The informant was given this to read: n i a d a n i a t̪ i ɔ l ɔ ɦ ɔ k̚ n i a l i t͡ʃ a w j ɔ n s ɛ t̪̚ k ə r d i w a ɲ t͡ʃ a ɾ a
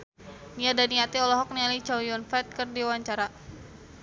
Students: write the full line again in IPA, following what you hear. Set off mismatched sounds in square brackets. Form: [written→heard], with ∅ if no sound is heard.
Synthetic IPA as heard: n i a d a n i a t̪ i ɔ l ɔ ɦ ɔ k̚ n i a l i t͡ʃ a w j ɔ n [s→f] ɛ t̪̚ k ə r d i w a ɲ t͡ʃ a ɾ a